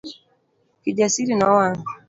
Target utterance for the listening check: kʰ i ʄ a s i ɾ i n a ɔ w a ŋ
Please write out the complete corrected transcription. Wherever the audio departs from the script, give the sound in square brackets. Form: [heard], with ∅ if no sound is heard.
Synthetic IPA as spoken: [k] i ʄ a s i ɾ i n a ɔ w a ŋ